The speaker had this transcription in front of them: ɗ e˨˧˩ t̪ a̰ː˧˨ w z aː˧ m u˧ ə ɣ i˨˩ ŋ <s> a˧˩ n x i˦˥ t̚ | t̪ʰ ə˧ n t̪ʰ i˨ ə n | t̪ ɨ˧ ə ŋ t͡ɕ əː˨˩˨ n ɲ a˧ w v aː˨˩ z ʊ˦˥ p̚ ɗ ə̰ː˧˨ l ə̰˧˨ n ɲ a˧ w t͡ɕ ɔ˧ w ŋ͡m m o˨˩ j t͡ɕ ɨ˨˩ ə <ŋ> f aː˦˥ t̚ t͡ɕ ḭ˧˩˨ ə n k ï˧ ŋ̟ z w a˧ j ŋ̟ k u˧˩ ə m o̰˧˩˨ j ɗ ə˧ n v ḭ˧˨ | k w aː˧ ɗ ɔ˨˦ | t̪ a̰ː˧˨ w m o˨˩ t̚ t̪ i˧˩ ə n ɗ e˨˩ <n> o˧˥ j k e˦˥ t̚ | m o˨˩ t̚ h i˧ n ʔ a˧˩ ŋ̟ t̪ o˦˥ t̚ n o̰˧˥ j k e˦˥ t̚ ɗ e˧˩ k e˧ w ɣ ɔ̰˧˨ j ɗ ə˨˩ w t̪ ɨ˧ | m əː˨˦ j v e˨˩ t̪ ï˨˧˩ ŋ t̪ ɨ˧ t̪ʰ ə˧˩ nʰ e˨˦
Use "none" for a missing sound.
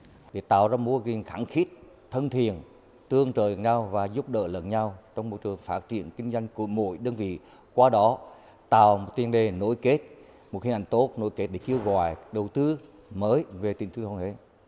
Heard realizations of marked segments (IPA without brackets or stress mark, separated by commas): x, ŋ, n